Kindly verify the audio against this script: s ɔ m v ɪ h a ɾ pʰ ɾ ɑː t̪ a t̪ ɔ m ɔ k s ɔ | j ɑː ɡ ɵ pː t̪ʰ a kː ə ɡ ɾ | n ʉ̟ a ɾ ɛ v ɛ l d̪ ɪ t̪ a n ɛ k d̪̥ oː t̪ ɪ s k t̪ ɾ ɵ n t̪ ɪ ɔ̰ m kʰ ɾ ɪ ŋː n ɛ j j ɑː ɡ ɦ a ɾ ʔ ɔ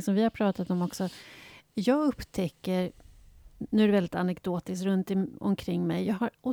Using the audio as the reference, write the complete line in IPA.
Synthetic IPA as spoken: s ɔ m v ɪ h a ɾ pʰ ɾ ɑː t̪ a t̪ ɔ m ɔ k s ɔ | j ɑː ɡ ɵ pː t̪ʰ ɛ kː ə ɾ | n ʉ̟ æ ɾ ɛ v ɛ l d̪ ɪ t̪ a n ɛ k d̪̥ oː t̪ ɪ s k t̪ ɾ ɵ n t̪ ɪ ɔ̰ m kʰ ɾ ɪ ŋː m ɛ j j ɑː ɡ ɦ a ɾ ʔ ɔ